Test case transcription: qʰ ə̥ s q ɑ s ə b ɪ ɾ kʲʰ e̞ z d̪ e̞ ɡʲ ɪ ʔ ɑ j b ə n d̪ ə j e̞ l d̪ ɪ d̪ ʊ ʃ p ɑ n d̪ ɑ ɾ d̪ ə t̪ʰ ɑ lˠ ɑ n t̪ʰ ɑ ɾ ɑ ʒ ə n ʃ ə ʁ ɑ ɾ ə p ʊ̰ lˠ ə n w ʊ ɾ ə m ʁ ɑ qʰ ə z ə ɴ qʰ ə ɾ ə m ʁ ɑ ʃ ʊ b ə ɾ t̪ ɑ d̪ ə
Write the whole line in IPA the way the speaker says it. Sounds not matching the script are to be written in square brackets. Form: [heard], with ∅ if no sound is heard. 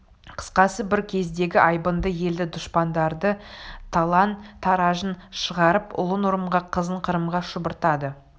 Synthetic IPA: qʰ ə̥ s q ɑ s ə b ɪ ɾ kʲʰ e̞ z d̪ e̞ ɡʲ ɪ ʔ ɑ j b ə n d̪ ə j e̞ l d̪ ɪ d̪ ʊ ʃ p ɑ n d̪ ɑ ɾ d̪ ə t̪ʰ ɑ lˠ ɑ n t̪ʰ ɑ ɾ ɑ ʒ ə n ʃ ə ʁ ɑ ɾ ə p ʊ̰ lˠ ə n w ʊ ɾ ə m ʁ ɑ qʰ ə z ə ɴ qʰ ə ɾ ə m ʁ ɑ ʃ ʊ b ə ɾ t̪ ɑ d̪ ə

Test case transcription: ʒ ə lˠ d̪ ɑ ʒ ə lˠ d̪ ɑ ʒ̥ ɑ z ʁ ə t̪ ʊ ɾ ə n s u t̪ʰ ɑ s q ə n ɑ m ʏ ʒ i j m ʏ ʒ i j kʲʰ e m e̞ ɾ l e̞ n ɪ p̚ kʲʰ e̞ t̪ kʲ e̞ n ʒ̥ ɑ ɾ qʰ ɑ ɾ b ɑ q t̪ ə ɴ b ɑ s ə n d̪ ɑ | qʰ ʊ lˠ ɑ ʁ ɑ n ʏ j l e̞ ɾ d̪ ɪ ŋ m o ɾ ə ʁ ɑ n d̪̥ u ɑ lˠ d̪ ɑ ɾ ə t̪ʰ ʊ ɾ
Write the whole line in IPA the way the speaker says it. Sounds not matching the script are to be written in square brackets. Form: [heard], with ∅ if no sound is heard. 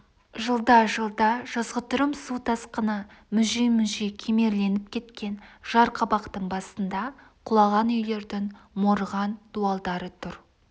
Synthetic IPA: ʒ ə lˠ d̪ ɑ ʒ ə lˠ d̪ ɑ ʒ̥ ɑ z ʁ ə t̪ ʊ ɾ ə [m] s u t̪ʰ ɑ s q ə n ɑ m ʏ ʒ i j m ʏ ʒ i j kʲʰ e m e̞ ɾ l e̞ n ɪ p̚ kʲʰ e̞ t̪ kʲ e̞ n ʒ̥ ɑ ɾ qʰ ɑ [∅] b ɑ q t̪ ə ɴ b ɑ s ə n d̪ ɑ | qʰ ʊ lˠ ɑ ʁ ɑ n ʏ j l e̞ ɾ d̪ ɪ ŋ m o ɾ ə ʁ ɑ n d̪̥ u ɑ lˠ d̪ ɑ ɾ ə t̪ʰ ʊ ɾ

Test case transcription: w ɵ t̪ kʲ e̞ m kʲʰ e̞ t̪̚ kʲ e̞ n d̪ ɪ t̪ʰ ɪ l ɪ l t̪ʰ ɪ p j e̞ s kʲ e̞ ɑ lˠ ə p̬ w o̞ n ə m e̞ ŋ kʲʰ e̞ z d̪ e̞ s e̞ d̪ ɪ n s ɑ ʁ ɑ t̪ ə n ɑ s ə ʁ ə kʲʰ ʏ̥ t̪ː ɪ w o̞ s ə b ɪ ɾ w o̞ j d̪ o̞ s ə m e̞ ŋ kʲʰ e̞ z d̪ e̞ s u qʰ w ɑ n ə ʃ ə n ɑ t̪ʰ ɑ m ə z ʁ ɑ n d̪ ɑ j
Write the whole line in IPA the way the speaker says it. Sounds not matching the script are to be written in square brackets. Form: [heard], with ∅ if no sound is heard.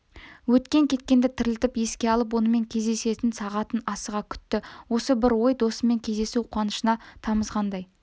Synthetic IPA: w ɵ t̪ kʲ e̞ [ŋ] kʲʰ e̞ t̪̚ kʲ e̞ n d̪ ɪ t̪ʰ ɪ [ɾ] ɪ l [t̪] ɪ p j e̞ s kʲ e̞ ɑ lˠ ə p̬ w o̞ n ə m e̞ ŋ kʲʰ e̞ z d̪ e̞ s e̞ [t̪] ɪ n s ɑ ʁ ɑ t̪ ə n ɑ s ə ʁ [ɑ] kʲʰ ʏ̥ t̪ː ɪ w o̞ s ə b ɪ ɾ w o̞ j d̪ o̞ s ə m e̞ ŋ kʲʰ e̞ z d̪ e̞ s u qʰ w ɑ n ə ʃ ə n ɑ t̪ʰ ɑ m ə z ʁ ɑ n d̪ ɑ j

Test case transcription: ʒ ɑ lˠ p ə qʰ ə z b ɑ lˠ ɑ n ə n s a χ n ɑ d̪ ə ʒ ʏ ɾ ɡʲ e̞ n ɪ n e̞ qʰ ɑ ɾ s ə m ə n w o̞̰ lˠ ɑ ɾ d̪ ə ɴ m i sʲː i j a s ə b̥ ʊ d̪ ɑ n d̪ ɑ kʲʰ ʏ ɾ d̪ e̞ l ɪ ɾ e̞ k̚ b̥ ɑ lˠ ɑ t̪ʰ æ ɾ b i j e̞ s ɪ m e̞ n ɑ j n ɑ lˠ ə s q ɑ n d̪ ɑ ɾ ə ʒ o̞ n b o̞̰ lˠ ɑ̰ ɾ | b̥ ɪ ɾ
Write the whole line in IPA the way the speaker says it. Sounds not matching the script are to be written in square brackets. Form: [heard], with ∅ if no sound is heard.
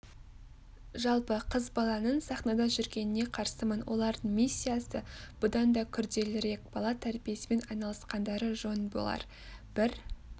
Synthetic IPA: ʒ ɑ lˠ p ə qʰ ə z b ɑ lˠ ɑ n ə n s [ɑ] χ n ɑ d̪ [ɑ] ʒ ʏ ɾ ɡʲ e̞ n ɪ n e̞ qʰ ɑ ɾ s ə m ə n w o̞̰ lˠ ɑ ɾ d̪ ə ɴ m i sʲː i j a s ə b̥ ʊ d̪ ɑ n d̪ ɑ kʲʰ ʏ ɾ d̪ e̞ l ɪ ɾ e̞ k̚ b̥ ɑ lˠ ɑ t̪ʰ æ ɾ b i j e̞ s ɪ m e̞ n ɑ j n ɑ lˠ ə s q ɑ n d̪ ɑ ɾ ə ʒ o̞ n b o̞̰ lˠ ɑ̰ ɾ | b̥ ɪ ɾ

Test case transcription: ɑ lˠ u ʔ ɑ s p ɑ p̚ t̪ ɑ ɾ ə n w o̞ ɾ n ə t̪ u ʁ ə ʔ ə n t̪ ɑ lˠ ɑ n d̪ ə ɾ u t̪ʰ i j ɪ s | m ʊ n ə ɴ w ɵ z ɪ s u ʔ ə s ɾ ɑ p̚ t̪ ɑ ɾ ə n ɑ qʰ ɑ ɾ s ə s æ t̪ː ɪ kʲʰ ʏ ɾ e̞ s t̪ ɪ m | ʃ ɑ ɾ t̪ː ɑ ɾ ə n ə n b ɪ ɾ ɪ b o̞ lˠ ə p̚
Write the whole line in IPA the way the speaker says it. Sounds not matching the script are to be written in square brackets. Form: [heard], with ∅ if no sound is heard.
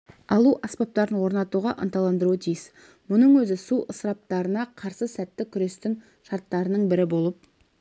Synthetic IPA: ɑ lˠ u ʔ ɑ s p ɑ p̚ t̪ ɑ ɾ ə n w o̞ ɾ n [ɑ] t̪ u ʁ [ɑ] ʔ ə n t̪ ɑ lˠ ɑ n d̪ ə ɾ u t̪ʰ i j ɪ s | m ʊ n ə ɴ w ɵ z ɪ s u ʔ ə s ɾ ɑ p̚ t̪ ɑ ɾ ə n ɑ qʰ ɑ ɾ s ə s æ t̪ː ɪ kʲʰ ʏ ɾ e̞ s t̪ ɪ [ŋ] | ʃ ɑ ɾ t̪ː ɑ ɾ ə n ə [ɴ] b ɪ ɾ ɪ b o̞ lˠ ə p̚

